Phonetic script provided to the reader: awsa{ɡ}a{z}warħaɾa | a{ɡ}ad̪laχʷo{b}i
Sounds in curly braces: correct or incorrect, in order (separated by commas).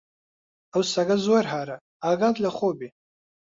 correct, correct, correct, correct